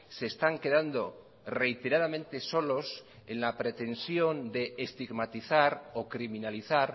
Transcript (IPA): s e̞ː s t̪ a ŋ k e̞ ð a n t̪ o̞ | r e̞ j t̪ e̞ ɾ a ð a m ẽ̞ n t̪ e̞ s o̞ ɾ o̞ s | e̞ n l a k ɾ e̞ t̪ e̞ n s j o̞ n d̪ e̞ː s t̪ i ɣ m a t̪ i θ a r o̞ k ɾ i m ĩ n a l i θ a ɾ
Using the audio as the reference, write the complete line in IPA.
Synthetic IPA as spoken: s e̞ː s t̪ a ŋ k e̞ ð a n d̪ o̞ | r e̞ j t̪ e̞ ɾ a ð a m ẽ̞ n t̪ e̞ s o̞ l o̞ s | e̞ n l a p ɾ e̞ t̪ e̞ n s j o̞ n d̪ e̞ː s t̪ i ɣ m a t̪ i θ a ɾ o̞ k ɾ i m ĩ n a l i θ a ɾ